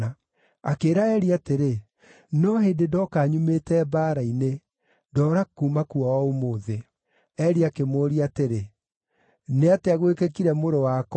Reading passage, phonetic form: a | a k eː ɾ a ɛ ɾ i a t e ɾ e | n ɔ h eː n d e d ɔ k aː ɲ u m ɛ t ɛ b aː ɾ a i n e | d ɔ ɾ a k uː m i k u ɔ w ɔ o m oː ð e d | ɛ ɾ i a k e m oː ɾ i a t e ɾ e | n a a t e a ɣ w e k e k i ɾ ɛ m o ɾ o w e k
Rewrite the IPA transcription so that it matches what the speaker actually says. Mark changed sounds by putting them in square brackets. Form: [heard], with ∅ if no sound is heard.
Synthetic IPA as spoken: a | a k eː ɾ a ɛ ɾ i a t e ɾ e | n ɔ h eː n d e d ɔ k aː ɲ u m [e] t ɛ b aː ɾ a i n e | d ɔ ɾ a k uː m [a] k u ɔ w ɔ o m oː ð e [∅] | ɛ ɾ i a k e m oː ɾ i a t e ɾ e | n [e] a t e a ɣ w e k e k i ɾ ɛ m o ɾ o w [a] k